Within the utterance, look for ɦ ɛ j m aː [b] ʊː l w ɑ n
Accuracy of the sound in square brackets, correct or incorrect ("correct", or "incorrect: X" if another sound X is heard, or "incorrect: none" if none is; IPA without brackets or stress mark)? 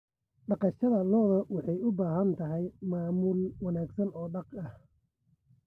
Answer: incorrect: m